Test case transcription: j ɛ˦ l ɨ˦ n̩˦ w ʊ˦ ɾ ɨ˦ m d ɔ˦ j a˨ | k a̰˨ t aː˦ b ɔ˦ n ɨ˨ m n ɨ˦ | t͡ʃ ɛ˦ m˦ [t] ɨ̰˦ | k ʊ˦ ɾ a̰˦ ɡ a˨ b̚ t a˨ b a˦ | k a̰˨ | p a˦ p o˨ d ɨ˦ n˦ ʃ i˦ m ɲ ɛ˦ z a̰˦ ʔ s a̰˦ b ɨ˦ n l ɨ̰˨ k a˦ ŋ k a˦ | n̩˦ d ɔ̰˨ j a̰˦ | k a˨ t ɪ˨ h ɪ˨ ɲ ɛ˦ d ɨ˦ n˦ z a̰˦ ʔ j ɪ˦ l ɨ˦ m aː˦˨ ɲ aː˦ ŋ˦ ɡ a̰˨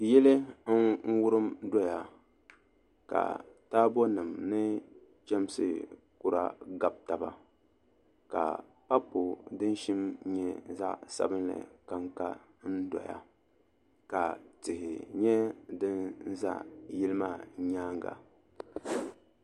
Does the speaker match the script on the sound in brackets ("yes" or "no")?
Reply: no